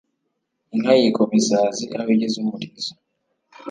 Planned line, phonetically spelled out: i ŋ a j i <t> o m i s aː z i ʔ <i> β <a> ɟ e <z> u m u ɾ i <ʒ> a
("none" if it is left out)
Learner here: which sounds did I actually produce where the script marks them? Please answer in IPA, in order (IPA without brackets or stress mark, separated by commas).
k, a, i, z, z